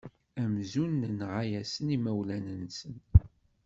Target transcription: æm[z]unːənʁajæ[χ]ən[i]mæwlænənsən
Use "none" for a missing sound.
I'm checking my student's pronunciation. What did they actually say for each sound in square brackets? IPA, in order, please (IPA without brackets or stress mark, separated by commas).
z, s, i